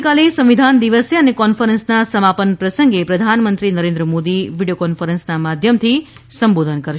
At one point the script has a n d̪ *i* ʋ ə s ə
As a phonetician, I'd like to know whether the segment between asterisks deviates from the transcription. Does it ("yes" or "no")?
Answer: no